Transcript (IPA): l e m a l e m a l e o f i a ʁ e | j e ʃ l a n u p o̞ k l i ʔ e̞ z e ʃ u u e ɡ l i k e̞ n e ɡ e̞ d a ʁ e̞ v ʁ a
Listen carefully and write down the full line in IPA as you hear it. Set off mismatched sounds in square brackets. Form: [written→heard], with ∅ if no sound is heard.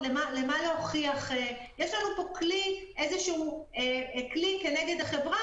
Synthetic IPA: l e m a l e m a l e o [f→χ] i a [ʁ→χ] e | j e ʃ l a n u p o̞ k l i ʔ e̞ z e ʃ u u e [ɡ→k] l i k e̞ n e ɡ e̞ d a [ʁ→χ] e̞ v ʁ a

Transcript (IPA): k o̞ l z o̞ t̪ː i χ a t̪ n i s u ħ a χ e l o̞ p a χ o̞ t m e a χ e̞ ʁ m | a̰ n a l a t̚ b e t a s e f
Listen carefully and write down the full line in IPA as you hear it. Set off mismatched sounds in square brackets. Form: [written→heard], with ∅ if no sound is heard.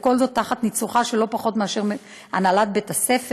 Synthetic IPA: k o̞ l z o̞ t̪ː [i→a] χ a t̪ n i [s→t͡s] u [ħ→χ] a [χ→ʃ] e l o̞ p a χ o̞ t m e a [χ→ʃ] e̞ ʁ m | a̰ n a l a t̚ b e t a s e f

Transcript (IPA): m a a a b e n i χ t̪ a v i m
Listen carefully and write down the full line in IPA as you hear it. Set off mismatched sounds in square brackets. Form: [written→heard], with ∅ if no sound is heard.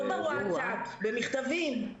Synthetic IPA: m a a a b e [n→m] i χ t̪ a v i m

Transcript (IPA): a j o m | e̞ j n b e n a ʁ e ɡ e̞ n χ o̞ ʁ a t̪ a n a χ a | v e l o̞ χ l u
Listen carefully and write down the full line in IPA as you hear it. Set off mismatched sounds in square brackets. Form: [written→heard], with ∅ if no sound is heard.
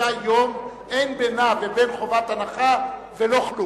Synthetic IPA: a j o m | e̞ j n b e n a [ʁ→v] e [ɡ→b] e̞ n χ o̞ [ʁ→v] a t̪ a n a χ a | v e l o̞ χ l u

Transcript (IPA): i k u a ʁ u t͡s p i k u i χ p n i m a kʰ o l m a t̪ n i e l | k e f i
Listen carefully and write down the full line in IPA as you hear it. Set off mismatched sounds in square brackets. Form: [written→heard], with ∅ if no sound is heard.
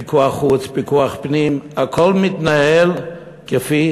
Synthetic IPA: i k u a [ʁ→χ] u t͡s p i k u [i→a] χ p n i m a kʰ o l m [a→i] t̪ n [i→a] e l | k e f i

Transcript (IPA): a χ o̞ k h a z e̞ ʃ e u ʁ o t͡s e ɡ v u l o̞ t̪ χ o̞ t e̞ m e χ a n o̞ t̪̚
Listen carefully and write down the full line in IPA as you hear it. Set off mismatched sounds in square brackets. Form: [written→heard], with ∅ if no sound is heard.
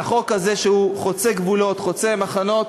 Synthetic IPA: a χ o̞ k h a z e̞ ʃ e u [ʁ→χ] o t͡s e ɡ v u l o̞ t̪ χ o̞ [t→t͡s] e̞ m [e→a] χ a n o̞ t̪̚

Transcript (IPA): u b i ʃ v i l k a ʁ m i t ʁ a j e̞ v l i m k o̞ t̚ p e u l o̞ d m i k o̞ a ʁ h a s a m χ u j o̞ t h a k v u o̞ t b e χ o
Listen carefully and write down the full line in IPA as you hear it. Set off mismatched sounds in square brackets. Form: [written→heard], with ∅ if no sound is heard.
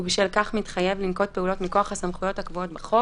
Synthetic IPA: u b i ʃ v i l k a [ʁ→χ] m i t [ʁ→χ] a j e̞ v l i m k o̞ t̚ p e u l o̞ [d→t] m i k o̞ a [ʁ→χ] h a s a m χ u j o̞ t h a k v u o̞ t b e χ o

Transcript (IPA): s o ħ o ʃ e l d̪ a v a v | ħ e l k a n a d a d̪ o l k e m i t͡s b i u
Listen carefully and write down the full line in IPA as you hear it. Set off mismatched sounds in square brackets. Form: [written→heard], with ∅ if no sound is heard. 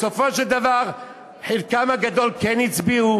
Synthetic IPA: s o [ħ→f] o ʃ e l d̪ a v a [v→ʁ] | ħ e l k a [n→m] a [d→ɡ] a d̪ o l k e [m→n] i t͡s b i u

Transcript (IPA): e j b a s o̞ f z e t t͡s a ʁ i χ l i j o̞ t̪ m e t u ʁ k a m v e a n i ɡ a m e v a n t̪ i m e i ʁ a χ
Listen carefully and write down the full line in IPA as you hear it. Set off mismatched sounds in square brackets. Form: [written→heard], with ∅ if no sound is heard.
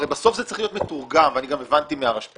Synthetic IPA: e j b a s o̞ f z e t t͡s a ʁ i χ l i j o̞ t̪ m e t u ʁ [k→ɡ] a m v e a n i ɡ a m e v a n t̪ i m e [i→a] ʁ a [χ→ʃ]

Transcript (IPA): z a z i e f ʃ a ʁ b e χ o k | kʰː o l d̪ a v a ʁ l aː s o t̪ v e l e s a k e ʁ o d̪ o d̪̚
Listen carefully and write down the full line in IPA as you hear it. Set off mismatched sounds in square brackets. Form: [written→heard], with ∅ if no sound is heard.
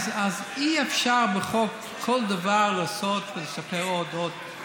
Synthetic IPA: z a z i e f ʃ a ʁ b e χ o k | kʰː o l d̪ a v a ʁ l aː s o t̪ v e l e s a [k→p] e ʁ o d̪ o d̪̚

